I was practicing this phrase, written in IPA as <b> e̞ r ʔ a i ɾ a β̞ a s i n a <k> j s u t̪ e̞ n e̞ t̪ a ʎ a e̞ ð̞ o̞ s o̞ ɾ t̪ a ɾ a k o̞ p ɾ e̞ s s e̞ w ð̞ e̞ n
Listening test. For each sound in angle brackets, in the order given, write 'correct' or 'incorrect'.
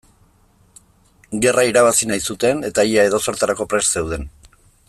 incorrect: ɡ, incorrect: none

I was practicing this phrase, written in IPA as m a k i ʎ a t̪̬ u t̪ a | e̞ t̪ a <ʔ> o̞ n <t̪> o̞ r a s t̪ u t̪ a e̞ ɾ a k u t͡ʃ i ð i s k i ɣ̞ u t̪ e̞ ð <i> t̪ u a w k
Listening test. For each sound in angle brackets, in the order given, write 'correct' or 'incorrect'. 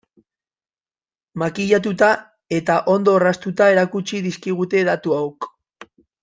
correct, incorrect: d̪, incorrect: a

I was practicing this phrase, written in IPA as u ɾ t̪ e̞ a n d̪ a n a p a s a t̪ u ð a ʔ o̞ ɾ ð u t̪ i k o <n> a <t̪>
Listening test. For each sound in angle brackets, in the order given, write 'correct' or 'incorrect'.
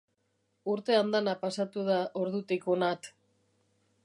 correct, correct

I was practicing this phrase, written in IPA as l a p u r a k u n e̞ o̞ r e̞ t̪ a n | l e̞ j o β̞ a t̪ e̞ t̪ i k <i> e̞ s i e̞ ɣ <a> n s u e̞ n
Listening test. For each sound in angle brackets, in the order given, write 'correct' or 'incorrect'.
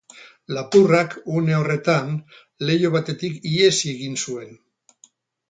correct, incorrect: i

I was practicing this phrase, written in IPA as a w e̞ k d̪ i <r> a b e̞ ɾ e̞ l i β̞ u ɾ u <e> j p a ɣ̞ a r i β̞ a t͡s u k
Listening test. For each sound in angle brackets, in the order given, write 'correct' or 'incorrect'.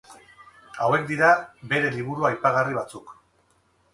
incorrect: ɾ, incorrect: a

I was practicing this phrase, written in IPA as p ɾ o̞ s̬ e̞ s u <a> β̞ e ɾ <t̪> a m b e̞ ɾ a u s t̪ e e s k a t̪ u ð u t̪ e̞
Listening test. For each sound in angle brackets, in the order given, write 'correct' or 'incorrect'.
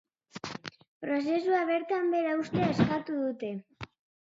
correct, correct

